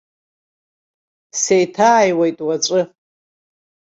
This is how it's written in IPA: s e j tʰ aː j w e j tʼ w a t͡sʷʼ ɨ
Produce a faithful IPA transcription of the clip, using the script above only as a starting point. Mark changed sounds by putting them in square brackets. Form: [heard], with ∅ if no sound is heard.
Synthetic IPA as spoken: s e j tʰ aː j w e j tʼ w a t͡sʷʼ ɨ